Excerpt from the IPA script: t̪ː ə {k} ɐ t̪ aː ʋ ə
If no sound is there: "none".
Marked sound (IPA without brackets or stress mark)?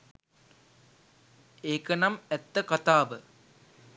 k